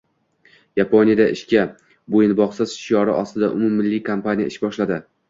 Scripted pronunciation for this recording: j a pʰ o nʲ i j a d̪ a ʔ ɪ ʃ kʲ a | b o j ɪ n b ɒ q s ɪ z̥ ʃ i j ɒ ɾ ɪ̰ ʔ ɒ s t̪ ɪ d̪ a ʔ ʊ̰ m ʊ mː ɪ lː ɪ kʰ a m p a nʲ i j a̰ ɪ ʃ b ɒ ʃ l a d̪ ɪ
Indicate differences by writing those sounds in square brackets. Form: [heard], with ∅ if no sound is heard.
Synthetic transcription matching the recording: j a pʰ o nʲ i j a d̪ a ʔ ɪ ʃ kʲ a | b o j ɪ n b ɒ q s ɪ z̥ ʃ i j ɒ ɾ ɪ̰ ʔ ɒ s t̪ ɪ d̪ a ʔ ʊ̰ m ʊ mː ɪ lː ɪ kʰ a m p a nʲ i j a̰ ɪ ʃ b ɒ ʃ l a d̪ ɪ